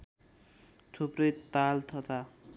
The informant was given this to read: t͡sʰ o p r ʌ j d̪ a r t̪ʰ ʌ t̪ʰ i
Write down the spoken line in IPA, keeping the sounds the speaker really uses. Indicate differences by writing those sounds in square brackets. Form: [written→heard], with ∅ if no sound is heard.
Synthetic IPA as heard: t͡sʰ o p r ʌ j [d̪→t̪] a [r→l] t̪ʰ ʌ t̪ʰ [i→a]